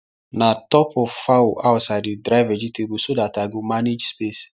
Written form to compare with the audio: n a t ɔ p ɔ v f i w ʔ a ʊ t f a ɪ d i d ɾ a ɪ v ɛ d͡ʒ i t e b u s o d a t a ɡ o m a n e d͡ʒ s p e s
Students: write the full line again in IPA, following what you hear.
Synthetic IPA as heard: n a t ɔ p ɔ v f a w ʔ a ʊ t s a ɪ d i d ɾ a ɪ v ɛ d͡ʒ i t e b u s o d a t a ɡ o m a n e d͡ʒ s p e s